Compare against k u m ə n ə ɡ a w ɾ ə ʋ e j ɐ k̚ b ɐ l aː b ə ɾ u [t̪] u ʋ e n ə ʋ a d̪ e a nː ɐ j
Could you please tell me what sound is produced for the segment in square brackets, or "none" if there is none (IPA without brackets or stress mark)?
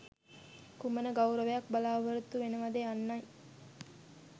t̪